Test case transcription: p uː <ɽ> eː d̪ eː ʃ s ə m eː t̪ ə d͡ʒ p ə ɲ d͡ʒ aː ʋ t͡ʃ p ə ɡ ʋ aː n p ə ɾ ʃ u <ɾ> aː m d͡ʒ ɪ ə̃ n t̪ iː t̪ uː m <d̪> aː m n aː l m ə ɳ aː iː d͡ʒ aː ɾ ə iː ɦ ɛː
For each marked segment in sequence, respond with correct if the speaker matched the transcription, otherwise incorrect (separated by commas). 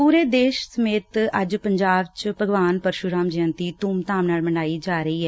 incorrect, correct, incorrect